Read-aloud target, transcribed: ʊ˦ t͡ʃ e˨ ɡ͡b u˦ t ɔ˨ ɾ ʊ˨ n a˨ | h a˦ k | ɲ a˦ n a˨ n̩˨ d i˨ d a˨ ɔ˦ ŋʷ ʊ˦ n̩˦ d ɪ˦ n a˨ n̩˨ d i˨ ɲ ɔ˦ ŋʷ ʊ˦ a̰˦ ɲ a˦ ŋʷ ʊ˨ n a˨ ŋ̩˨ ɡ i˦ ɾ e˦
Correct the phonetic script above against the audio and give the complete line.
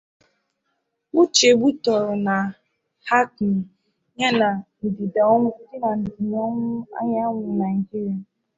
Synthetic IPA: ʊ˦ t͡ʃ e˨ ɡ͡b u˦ t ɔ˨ ɾ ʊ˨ n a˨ | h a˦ k | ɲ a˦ n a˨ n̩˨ d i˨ d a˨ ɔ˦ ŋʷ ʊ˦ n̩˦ d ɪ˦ n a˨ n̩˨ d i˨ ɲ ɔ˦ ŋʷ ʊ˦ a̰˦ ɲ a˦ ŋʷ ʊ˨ n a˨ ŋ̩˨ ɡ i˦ ɾ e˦